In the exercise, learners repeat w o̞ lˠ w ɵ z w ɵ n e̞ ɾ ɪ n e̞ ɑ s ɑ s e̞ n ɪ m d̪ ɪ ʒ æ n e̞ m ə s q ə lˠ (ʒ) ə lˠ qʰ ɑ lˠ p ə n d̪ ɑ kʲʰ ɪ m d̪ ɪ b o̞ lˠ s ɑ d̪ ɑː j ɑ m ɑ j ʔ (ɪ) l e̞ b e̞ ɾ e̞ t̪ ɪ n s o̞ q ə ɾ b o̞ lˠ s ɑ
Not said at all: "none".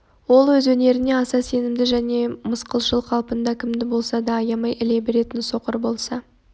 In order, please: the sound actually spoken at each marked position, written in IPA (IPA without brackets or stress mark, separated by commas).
ʃ, ɪ